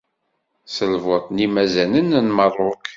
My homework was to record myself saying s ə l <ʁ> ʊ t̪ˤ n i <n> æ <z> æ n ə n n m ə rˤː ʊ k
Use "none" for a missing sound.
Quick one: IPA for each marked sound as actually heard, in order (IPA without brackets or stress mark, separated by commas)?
v, m, z